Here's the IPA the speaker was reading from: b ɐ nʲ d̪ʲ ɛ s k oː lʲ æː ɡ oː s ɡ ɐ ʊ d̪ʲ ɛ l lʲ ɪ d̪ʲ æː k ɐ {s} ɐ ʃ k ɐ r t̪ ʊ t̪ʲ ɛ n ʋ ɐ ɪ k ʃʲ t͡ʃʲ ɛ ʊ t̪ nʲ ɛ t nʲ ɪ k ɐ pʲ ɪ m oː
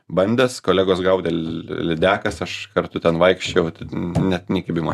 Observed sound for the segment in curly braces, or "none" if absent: s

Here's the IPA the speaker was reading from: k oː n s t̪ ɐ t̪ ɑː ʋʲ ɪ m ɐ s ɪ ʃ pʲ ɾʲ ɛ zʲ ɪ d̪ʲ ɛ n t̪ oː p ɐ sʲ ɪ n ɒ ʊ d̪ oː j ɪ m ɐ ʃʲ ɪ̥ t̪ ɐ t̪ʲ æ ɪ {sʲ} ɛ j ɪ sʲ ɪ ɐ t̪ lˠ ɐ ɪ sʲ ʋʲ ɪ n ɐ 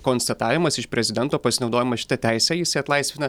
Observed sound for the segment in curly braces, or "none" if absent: sʲ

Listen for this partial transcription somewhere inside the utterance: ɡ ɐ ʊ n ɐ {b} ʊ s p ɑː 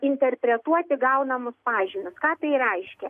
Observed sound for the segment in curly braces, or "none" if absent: m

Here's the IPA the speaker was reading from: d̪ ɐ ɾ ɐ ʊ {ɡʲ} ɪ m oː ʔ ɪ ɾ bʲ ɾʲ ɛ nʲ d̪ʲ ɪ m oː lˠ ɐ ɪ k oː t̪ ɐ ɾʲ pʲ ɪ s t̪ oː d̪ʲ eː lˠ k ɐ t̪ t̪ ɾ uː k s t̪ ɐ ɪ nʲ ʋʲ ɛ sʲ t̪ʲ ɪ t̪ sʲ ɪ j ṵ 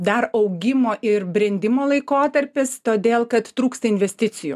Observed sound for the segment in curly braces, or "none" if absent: ɡʲ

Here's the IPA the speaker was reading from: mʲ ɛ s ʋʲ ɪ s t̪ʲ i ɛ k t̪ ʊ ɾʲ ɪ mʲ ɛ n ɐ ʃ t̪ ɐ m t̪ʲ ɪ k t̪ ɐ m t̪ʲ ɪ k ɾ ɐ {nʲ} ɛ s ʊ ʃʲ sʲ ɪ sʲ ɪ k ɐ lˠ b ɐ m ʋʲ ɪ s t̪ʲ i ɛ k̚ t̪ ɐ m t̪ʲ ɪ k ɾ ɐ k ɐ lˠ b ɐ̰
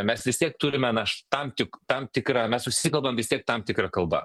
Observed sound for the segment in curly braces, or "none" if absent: mʲ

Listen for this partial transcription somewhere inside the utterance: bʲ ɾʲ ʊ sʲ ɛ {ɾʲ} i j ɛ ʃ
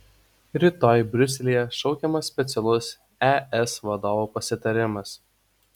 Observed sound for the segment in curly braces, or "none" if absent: lʲ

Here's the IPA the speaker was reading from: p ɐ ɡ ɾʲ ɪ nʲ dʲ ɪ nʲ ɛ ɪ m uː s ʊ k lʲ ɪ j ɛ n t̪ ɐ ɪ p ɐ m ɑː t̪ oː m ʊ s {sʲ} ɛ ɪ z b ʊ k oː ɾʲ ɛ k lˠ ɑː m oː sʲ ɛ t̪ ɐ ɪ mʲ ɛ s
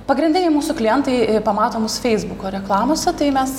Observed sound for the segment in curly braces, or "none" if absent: fʲ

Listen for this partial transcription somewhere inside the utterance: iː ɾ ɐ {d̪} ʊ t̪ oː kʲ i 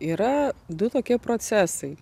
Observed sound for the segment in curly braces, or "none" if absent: d̪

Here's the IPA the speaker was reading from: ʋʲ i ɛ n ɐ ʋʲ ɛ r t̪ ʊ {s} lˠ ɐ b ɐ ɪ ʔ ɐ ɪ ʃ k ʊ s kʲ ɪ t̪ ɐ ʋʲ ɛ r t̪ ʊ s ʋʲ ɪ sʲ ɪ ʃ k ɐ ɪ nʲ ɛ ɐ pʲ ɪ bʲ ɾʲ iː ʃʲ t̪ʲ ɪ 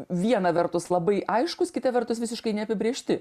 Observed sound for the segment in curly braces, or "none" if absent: s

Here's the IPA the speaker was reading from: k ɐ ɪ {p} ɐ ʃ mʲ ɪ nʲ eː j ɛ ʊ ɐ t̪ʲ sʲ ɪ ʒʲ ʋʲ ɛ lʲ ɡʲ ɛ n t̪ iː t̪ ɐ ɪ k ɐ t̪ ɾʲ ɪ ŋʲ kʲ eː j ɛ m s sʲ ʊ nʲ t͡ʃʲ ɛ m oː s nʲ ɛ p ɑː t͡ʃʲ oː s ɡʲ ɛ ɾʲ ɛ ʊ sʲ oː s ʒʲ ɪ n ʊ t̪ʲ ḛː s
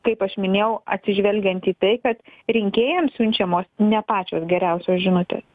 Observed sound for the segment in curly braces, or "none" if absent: p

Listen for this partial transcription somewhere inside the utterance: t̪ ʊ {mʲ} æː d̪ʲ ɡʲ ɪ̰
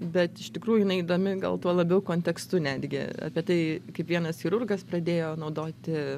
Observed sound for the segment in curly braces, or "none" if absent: nʲ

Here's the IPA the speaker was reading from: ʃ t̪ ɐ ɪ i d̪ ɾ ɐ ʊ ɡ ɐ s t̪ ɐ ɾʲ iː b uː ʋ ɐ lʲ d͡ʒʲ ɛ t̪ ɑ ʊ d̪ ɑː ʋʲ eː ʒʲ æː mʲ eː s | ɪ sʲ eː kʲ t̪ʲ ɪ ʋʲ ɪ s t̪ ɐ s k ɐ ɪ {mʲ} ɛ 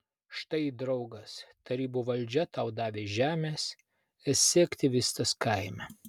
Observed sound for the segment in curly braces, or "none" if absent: mʲ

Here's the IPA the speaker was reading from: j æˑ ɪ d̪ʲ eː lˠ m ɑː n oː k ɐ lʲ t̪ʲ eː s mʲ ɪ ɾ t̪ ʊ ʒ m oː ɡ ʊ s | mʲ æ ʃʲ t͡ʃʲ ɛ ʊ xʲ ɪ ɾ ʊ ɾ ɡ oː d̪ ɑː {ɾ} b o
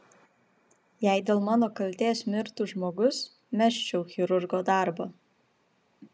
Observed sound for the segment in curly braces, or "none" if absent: ɾ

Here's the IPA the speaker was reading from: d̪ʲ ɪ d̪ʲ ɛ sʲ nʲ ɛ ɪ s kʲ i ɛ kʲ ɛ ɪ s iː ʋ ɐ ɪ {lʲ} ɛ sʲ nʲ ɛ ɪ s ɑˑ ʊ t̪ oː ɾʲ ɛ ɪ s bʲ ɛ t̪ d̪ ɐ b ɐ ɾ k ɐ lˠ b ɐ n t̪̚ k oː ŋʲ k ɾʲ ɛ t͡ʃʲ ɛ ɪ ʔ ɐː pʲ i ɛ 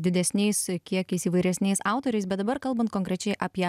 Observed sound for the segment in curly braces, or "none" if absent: ɾʲ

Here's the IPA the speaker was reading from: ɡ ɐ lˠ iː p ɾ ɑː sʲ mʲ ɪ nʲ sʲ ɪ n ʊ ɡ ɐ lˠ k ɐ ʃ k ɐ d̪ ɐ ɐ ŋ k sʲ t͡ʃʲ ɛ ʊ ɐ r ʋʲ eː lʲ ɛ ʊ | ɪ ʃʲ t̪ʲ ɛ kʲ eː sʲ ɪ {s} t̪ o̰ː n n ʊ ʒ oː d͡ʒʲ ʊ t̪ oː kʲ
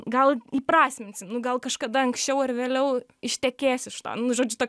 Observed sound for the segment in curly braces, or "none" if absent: ʃ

